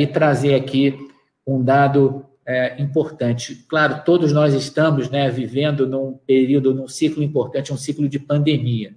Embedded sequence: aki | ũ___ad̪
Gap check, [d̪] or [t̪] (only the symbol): d̪